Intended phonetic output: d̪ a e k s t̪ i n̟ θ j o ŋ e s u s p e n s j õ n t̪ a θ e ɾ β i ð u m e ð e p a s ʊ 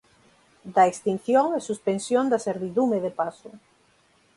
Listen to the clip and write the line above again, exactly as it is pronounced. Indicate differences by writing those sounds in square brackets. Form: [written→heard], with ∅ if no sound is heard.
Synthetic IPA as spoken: d̪ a e k s t̪ i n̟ θ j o ŋ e s u s p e n s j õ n [t̪→d̪] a [θ→s] e ɾ β i ð u m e ð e p a s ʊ